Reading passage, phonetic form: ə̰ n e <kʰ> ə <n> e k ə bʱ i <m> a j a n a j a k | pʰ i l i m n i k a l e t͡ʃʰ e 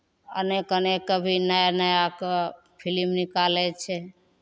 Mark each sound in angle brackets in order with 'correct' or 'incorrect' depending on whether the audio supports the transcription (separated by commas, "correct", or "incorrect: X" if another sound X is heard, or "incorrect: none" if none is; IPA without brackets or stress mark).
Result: incorrect: k, correct, incorrect: n